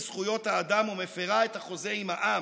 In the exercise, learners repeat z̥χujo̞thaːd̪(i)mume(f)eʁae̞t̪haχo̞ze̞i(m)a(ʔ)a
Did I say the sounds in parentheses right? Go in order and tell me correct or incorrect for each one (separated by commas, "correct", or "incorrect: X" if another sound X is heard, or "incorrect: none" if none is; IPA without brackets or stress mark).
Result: incorrect: a, correct, correct, correct